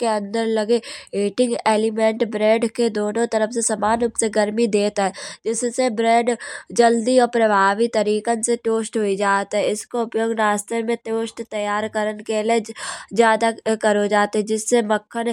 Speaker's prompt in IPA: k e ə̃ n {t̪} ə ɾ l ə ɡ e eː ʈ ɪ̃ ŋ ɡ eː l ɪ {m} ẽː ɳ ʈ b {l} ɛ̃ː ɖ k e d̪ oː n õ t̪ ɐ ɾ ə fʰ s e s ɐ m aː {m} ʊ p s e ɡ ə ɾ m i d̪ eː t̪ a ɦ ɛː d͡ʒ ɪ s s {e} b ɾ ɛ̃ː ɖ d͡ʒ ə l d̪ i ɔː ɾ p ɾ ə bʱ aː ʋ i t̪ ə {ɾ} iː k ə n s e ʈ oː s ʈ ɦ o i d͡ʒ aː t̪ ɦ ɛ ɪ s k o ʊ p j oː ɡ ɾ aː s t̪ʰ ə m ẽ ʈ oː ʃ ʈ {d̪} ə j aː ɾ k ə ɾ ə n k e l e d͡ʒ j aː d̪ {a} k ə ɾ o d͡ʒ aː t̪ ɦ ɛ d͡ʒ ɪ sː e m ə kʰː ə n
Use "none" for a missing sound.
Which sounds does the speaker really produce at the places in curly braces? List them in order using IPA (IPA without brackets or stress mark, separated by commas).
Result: d̪, m, ɾ, n, e, ɾ, t̪, a